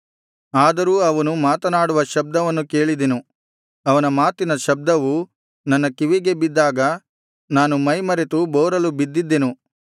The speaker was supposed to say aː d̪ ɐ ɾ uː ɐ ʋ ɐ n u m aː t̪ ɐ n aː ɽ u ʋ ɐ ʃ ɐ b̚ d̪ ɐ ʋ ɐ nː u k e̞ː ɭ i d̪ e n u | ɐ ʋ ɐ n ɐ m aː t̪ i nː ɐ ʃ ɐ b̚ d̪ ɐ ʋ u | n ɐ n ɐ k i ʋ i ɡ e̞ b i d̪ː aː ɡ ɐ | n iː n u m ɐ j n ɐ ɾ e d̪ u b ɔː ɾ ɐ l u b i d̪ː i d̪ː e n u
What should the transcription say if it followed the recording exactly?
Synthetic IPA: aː d̪ ɐ ɾ uː ɐ ʋ ɐ n u m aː t̪ ɐ n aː ɽ u ʋ ɐ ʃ ɐ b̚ d̪ ɐ ʋ ɐ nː u k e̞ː ɭ i d̪ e n u | ɐ ʋ ɐ n ɐ m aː t̪ i n ɐ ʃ ɐ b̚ d̪ ɐ ʋ u | n ɐ nː ɐ k i ʋ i ɡ e̞ b i d̪ː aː ɡ ɐ | n aː n u m ɐ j m ɐ ɾ e t̪ u b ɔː ɾ ɐ l u b i d̪ː i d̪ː e n u

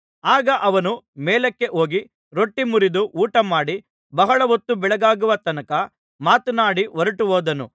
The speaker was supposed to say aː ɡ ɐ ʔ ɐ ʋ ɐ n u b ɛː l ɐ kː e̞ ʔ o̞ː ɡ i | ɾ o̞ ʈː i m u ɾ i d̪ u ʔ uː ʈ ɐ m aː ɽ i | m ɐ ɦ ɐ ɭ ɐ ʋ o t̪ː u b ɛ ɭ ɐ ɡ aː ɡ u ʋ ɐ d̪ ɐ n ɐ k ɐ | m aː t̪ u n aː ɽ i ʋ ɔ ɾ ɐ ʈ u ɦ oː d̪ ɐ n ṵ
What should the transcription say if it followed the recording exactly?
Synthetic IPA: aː ɡ ɐ ʔ ɐ ʋ ɐ n u m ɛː l ɐ kː e̞ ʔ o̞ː ɡ i | ɾ o̞ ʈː i m u ɾ i d̪ u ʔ uː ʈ ɐ m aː ɽ i | b ɐ ɦ ɐ ɭ ɐ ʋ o t̪ː u b ɛ ɭ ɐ ɡ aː ɡ u ʋ ɐ t̪ ɐ n ɐ k ɐ | m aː t̪ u n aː ɽ i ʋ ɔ ɾ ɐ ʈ u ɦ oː d̪ ɐ n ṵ

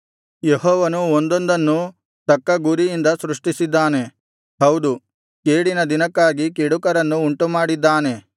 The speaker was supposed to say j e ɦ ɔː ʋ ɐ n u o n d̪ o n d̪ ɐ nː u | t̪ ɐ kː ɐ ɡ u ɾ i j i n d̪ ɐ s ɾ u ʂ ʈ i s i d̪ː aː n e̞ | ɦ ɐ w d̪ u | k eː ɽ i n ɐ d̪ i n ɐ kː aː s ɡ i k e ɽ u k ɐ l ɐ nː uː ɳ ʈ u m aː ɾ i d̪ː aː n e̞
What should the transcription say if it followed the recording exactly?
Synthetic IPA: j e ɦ ɔː ʋ ɐ n u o n d̪ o n d̪ ɐ nː u | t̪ ɐ kː ɐ ɡ u ɾ i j i n d̪ ɐ s ɾ u ʂ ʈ i s i d̪ː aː n e̞ | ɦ ɐ w d̪ u | k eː ɽ i n ɐ d̪ i n ɐ kː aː ɡ i k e ɽ u k ɐ ɾ ɐ nː uː ɳ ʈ u m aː ɽ i d̪ː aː n e̞

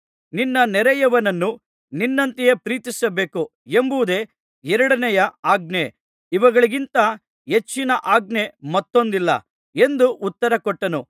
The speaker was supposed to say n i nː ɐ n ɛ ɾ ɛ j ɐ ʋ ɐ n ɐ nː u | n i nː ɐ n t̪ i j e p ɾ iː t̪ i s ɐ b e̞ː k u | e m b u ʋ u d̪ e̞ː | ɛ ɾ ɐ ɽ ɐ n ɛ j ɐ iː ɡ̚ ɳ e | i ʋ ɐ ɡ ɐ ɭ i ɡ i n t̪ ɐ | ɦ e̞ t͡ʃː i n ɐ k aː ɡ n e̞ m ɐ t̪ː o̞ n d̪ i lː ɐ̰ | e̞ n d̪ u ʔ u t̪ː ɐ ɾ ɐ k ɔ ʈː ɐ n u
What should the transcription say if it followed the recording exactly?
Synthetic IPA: n i nː ɐ n ɛ ɾ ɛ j ɐ ʋ ɐ n ɐ nː u | n i nː ɐ n t̪ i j e p ɾ iː t̪ i s ɐ b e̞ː k u | e m b u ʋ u d̪ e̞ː | ɛ ɾ ɐ ɽ ɐ n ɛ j ɐ aː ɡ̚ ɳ e | i ʋ ɐ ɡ ɐ ɭ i ɡ i n t̪ ɐ | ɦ e̞ t͡ʃː i n ɐ ʔ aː ɡ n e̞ m ɐ t̪ː o̞ n d̪ i lː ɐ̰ | e̞ n d̪ u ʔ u t̪ː ɐ ɾ ɐ k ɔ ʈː ɐ n u

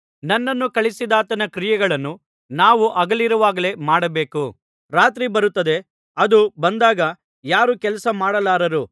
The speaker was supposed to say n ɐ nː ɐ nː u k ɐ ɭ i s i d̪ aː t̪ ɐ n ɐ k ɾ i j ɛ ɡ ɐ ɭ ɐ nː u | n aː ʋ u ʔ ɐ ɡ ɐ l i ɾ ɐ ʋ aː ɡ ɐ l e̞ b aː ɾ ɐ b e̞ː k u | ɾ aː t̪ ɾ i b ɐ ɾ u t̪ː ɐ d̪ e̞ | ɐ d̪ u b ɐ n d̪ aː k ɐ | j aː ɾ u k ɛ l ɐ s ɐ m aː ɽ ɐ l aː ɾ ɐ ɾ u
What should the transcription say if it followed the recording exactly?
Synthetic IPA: n ɐ nː ɐ nː u k ɐ ɭ i s i d̪ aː t̪ ɐ n ɐ k ɾ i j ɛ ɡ ɐ ɭ ɐ nː u | n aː ʋ u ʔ ɐ ɡ ɐ l i ɾ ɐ ʋ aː ɡ ɐ l e̞ m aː ɽ ɐ b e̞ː k u | ɾ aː t̪ ɾ i b ɐ ɾ u t̪ː ɐ d̪ e̞ | ɐ d̪ u b ɐ n d̪ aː ɡ ɐ | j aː ɾ u k ɛ l ɐ s ɐ m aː ɽ ɐ l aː ɾ ɐ ɾ u

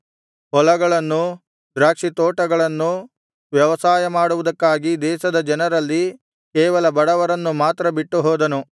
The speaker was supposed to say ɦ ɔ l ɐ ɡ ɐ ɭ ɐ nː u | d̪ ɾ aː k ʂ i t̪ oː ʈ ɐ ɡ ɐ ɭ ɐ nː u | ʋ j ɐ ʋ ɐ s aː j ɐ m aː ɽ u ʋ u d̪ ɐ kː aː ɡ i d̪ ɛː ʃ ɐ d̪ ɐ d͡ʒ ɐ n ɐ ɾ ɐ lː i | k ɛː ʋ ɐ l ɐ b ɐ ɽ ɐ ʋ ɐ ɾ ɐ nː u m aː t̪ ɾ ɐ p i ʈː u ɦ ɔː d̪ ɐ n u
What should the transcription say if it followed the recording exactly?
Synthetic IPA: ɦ ɔ l ɐ ɡ ɐ ɭ ɐ nː u | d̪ ɾ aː k ʂ i t̪ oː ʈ ɐ ɡ ɐ ɭ ɐ nː u | ʋ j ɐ ʋ ɐ s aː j ɐ m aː ɽ u ʋ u d̪ ɐ kː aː ɡ i d̪ ɛː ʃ ɐ d̪ ɐ d͡ʒ ɐ n ɐ ɾ ɐ lː i | k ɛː ʋ ɐ l ɐ b ɐ ɽ ɐ ʋ ɐ ɾ ɐ nː u m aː t̪ ɾ ɐ b i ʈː u ɦ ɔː d̪ ɐ n u

